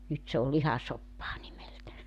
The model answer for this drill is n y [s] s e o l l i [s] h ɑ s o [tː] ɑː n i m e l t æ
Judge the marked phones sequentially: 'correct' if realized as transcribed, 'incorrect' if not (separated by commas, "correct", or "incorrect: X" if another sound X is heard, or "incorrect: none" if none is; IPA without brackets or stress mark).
incorrect: t, incorrect: none, incorrect: pː